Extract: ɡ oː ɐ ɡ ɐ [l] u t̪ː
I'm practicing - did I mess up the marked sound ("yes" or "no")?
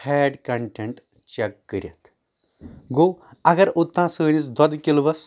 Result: yes